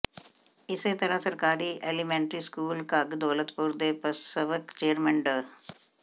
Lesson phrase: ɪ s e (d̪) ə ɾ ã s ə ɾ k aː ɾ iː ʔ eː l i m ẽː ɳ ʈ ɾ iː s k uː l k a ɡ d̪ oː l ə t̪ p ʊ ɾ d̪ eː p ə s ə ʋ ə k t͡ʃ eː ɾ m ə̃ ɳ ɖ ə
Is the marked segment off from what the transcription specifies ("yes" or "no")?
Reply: yes